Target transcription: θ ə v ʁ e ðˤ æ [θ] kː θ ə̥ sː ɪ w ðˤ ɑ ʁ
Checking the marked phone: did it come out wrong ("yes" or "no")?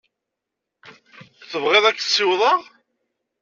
yes